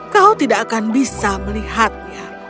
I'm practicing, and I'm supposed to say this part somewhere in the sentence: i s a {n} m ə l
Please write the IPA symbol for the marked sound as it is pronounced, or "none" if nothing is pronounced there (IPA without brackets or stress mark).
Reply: none